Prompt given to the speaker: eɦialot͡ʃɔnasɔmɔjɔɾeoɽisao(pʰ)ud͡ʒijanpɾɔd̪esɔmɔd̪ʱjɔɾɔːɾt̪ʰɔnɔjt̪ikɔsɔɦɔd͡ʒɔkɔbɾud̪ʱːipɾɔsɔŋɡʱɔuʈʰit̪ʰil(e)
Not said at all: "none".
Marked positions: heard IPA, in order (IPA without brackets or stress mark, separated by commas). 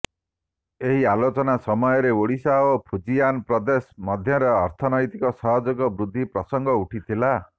pʰ, a